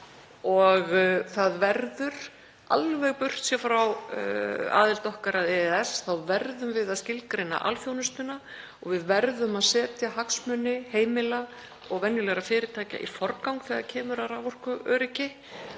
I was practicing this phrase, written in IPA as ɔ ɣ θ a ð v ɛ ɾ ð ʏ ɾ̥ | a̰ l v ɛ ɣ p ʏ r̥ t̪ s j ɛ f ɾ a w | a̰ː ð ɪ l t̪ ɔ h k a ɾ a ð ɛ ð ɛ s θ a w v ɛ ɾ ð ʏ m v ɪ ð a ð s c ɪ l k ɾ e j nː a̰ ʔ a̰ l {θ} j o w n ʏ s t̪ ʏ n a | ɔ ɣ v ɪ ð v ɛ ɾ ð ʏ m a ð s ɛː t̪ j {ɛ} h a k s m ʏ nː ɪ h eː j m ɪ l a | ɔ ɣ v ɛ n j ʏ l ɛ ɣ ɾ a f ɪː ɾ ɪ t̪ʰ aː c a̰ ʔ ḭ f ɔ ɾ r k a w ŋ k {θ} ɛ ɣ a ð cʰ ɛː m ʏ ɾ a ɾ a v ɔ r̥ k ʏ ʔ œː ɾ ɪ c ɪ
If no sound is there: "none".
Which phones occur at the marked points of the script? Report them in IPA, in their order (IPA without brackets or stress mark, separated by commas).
f, a, θ